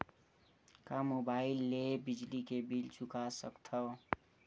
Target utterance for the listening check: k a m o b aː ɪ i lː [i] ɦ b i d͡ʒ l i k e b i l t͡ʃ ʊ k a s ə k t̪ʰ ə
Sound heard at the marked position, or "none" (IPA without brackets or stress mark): e